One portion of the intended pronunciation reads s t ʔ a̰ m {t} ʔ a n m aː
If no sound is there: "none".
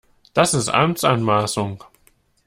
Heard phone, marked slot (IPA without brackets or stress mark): t͡s